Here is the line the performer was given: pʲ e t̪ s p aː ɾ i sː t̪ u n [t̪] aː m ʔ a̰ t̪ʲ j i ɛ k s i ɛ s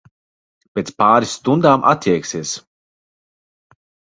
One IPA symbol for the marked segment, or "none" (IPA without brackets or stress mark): d̪